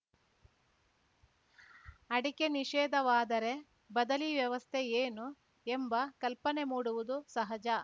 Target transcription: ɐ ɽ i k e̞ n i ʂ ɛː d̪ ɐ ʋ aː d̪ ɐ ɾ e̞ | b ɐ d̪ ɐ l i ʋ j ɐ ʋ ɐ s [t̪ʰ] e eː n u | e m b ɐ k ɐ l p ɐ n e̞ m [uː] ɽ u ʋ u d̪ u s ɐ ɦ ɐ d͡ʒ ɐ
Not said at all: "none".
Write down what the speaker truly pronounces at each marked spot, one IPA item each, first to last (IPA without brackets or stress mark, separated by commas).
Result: t̪ʰ, uː